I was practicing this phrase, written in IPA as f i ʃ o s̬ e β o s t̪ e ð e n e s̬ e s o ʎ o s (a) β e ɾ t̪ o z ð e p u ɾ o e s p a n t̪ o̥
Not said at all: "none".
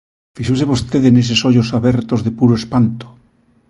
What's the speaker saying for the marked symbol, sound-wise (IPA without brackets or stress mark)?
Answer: a